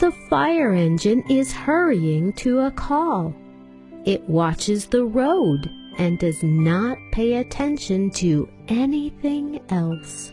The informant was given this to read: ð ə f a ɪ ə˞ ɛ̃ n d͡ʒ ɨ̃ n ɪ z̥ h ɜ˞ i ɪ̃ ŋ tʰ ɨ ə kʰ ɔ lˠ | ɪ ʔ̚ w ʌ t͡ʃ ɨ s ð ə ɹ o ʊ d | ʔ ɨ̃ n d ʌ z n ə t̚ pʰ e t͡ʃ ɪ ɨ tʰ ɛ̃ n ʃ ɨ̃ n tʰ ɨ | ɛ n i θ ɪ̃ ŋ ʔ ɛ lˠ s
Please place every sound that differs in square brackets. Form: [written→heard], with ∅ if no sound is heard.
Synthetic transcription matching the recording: ð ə f a ɪ ə˞ ɛ̃ n d͡ʒ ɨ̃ n ɪ z̥ h ɜ˞ i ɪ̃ ŋ tʰ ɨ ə kʰ ɔ lˠ | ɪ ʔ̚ w [ʌ→ɑ] t͡ʃ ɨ [s→z] ð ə ɹ o ʊ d | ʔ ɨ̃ n d ʌ z n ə t̚ pʰ e [t͡ʃ→∅] ɪ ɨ tʰ ɛ̃ n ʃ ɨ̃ n tʰ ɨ | ɛ n i θ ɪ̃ ŋ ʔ ɛ lˠ s

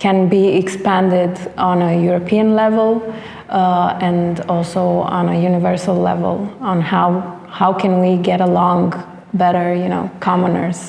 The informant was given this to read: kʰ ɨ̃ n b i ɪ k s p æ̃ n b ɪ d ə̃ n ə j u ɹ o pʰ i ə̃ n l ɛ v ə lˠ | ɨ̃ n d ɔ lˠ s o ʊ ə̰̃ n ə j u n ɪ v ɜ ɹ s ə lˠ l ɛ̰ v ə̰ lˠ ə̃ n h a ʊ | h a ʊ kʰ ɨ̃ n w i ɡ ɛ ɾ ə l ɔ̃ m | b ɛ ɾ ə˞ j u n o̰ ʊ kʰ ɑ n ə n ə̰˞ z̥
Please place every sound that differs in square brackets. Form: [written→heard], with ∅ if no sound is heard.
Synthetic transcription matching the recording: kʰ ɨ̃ n b i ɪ k s p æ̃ n [b→d] ɪ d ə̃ n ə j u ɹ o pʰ i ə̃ n l ɛ v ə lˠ | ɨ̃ n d ɔ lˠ s o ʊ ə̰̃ n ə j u n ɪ v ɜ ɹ s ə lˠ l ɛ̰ v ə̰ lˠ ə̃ n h a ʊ | h a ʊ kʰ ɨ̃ n w i ɡ ɛ ɾ ə l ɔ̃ [m→ŋ] | b ɛ ɾ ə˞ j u n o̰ ʊ kʰ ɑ [n→m] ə n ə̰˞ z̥

